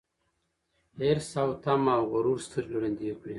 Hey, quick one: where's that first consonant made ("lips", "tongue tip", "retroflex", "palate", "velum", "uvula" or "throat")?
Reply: tongue tip